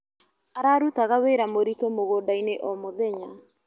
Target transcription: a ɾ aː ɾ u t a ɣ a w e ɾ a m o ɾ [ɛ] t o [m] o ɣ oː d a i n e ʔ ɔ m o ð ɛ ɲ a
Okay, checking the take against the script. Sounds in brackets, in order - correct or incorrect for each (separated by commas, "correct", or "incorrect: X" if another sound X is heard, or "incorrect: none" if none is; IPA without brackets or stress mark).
incorrect: i, correct